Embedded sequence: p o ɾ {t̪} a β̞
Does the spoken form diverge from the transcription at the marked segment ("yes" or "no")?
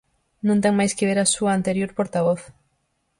no